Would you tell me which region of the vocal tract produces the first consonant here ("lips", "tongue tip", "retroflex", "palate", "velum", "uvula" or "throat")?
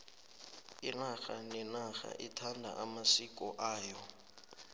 tongue tip